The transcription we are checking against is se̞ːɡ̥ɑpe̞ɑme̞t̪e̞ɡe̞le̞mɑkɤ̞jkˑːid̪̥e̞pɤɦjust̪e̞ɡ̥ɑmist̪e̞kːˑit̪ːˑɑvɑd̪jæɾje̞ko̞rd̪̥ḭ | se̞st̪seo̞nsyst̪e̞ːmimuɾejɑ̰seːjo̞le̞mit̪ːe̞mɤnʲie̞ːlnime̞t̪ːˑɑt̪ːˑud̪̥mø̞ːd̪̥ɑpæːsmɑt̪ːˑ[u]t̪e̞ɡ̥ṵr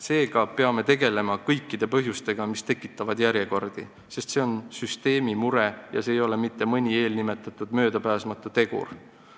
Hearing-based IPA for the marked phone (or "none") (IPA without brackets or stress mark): u